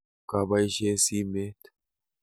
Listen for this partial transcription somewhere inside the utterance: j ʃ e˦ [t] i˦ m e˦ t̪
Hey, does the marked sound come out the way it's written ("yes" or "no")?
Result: no